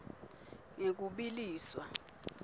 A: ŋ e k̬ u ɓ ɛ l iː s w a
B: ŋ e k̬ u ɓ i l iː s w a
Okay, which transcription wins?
B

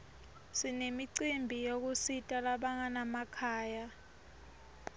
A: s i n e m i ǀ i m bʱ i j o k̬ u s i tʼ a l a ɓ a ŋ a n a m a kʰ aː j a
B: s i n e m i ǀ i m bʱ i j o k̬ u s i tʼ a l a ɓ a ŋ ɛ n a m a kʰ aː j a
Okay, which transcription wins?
A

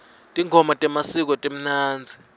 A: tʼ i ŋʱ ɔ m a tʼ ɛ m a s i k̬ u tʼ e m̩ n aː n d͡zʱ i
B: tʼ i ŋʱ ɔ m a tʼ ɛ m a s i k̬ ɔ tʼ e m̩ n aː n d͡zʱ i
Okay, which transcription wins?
B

